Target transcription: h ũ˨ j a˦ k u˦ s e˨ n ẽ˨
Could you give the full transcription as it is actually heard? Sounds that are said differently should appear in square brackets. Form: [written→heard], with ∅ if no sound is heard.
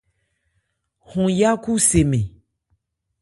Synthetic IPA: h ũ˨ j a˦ k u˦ s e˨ [n→m] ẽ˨